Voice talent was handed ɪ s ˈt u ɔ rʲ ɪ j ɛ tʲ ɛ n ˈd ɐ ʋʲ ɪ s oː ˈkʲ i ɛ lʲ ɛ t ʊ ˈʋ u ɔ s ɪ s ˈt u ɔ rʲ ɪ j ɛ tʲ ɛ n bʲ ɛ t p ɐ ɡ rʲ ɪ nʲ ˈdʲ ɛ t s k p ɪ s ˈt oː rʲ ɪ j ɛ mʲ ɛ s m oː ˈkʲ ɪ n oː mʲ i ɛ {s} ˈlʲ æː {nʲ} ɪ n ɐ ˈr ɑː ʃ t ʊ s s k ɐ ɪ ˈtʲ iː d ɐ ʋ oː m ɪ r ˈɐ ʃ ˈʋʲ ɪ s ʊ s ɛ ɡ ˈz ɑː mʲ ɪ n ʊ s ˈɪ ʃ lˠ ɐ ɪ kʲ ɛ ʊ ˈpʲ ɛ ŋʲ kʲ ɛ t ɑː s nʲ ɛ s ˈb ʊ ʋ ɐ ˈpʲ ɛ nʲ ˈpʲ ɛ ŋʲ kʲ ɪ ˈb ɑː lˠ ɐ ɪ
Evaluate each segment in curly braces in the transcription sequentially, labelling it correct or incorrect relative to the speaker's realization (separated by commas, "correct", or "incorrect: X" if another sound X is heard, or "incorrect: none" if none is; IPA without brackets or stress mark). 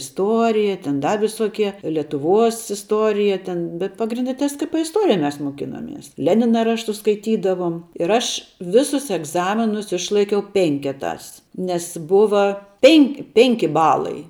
correct, correct